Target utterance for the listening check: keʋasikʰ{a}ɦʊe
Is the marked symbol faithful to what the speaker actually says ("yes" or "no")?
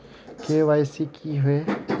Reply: no